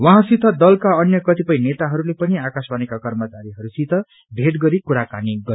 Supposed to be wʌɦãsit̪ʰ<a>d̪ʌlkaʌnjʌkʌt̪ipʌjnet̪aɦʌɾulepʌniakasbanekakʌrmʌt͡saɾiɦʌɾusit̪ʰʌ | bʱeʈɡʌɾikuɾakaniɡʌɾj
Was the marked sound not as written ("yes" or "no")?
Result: yes